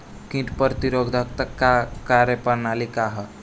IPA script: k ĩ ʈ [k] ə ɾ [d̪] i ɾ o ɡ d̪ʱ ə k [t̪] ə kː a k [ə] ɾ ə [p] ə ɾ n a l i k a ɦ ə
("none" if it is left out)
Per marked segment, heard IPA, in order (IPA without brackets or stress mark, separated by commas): p, t̪, t̪, a, p